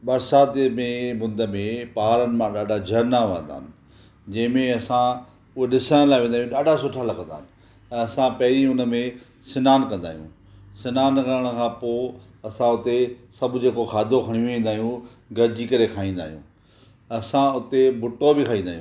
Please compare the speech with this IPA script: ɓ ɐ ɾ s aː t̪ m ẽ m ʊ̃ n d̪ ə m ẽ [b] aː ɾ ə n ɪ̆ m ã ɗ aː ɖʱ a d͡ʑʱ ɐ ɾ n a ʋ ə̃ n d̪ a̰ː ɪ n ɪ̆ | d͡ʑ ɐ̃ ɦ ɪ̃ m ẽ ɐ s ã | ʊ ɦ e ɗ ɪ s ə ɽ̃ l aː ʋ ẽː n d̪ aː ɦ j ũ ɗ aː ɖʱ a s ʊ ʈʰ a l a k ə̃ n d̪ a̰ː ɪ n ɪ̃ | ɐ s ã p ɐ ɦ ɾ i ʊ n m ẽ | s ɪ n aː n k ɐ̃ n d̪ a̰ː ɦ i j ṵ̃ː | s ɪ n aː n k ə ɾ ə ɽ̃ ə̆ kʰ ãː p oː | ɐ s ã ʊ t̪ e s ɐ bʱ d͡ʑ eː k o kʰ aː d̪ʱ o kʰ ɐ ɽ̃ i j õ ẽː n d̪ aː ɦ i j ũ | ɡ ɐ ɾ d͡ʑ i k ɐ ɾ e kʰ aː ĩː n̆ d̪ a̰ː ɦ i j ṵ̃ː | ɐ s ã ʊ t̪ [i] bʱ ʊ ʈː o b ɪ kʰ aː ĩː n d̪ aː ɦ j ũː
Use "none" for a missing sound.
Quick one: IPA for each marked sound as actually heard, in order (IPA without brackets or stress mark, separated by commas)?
p, e